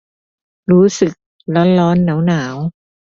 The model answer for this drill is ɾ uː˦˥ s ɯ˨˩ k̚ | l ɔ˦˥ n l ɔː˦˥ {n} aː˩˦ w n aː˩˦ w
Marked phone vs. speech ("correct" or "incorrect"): incorrect